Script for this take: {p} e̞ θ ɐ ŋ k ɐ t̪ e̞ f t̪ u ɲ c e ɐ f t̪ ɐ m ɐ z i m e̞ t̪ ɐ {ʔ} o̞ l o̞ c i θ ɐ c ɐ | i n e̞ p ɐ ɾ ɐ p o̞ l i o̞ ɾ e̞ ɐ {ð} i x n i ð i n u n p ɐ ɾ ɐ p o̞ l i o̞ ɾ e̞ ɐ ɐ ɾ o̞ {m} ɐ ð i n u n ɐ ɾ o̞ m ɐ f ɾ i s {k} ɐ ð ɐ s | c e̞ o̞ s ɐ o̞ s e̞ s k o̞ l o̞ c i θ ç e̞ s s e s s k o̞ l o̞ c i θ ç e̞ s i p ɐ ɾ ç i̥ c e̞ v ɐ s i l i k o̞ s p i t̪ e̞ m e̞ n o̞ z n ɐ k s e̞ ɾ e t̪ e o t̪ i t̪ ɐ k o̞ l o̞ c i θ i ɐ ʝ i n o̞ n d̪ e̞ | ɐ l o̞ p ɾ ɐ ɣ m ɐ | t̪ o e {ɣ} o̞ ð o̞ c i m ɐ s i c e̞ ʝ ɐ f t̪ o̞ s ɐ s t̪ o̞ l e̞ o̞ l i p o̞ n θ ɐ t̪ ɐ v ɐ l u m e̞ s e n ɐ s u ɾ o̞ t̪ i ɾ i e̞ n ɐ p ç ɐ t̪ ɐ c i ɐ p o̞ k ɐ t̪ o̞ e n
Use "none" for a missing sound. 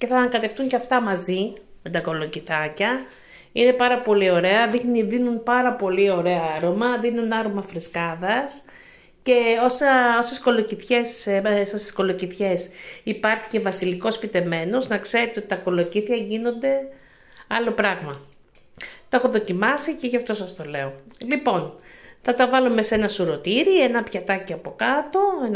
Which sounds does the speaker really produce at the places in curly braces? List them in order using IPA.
c, k, ð, m, k, x

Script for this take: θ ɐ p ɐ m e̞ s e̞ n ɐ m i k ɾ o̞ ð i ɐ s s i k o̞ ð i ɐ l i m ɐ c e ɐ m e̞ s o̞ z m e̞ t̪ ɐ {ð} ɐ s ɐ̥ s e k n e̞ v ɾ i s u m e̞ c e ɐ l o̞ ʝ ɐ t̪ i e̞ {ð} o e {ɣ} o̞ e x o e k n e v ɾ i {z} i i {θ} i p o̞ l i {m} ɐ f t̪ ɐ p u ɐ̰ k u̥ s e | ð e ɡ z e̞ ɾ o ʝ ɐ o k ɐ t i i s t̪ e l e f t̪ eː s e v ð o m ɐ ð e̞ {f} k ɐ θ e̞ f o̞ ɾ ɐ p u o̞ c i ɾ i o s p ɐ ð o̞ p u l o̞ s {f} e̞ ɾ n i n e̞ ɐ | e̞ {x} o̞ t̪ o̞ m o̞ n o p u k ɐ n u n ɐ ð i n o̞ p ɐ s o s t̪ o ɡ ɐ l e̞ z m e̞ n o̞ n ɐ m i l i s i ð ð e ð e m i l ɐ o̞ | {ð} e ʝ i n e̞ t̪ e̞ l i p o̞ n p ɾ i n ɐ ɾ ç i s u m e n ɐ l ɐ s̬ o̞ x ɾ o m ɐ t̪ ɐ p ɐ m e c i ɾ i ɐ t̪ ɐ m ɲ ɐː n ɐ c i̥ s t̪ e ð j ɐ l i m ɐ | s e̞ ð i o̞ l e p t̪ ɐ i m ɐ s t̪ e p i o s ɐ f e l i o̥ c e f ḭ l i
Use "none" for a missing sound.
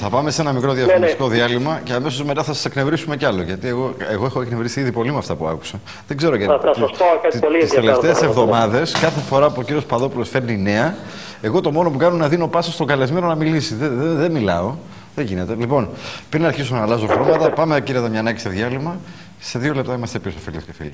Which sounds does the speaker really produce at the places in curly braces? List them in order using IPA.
θ, ɣ, ɣ, s, ð, m, s, f, ɣ, ð

